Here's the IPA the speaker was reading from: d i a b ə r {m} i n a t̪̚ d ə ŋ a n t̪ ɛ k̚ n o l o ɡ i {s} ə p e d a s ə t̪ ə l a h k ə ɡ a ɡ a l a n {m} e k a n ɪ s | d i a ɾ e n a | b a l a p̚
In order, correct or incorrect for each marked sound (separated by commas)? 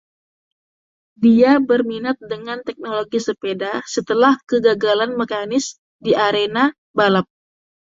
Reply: correct, correct, correct